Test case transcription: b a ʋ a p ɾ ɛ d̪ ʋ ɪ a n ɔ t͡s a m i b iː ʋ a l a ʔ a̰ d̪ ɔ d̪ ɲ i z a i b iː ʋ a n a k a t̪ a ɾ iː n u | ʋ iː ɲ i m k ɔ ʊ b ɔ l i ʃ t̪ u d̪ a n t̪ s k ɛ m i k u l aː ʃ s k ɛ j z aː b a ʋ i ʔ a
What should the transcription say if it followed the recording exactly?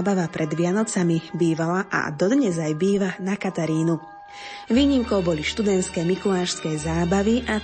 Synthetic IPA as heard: b a ʋ a p ɾ ɛ d̪ ʋ ɪ a n ɔ t͡s a m i b iː ʋ a l a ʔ a̰ d̪ ɔ d̪ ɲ ɛ z a j b iː ʋ a n a k a t̪ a ɾ iː n u | ʋ iː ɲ i m k ɔ ʊ b ɔ l i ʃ t̪ u d̪ ɛ n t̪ s k ɛ m i k u l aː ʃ s k ɛ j z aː b a ʋ i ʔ a